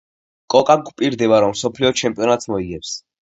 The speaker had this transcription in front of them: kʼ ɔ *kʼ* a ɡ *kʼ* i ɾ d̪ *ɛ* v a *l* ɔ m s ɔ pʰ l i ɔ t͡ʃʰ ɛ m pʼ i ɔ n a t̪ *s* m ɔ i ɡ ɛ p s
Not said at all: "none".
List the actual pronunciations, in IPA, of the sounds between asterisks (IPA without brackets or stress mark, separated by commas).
kʼ, pʼ, ɛ, ɾ, s